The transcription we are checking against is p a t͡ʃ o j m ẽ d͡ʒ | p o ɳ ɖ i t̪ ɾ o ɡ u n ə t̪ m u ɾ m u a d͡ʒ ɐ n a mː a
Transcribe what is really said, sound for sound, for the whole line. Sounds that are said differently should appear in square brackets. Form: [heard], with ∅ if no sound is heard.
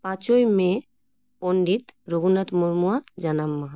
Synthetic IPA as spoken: p a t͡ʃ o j m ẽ [∅] | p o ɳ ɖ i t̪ ɾ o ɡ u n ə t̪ m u ɾ m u a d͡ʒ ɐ n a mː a